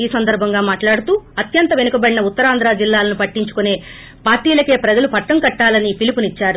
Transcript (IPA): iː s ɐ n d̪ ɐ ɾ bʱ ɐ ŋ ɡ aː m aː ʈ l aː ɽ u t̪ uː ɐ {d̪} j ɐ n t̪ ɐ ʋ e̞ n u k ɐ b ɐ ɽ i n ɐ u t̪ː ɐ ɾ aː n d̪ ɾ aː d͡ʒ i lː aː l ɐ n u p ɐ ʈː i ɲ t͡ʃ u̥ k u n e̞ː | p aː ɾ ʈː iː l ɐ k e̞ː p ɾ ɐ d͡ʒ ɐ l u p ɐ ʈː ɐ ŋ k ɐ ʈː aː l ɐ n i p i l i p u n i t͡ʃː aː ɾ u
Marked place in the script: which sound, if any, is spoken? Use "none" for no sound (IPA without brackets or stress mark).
t̪